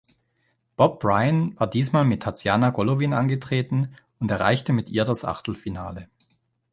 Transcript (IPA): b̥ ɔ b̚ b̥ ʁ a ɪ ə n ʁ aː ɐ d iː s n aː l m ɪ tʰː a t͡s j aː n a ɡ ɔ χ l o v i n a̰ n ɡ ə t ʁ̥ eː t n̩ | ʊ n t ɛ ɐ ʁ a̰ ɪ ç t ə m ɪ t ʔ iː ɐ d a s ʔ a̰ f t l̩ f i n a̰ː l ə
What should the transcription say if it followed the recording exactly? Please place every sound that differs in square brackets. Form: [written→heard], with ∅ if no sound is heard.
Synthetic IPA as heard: b̥ ɔ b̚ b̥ ʁ a ɪ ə n [ʁ→v] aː ɐ d iː s [n→m] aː l m ɪ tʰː a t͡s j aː n a ɡ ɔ [χ→∅] l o v i n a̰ n ɡ ə t ʁ̥ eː t n̩ | ʊ n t ɛ ɐ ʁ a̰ ɪ ç t ə m ɪ t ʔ iː ɐ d a s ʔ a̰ [f→χ] t l̩ f i n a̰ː l ə